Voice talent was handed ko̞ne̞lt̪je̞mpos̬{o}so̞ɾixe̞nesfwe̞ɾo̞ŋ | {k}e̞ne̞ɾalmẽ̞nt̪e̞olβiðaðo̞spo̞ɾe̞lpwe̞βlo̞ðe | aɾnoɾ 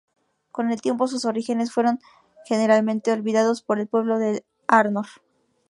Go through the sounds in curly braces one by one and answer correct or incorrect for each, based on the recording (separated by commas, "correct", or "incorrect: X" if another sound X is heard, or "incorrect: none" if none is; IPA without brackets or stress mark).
incorrect: u, incorrect: x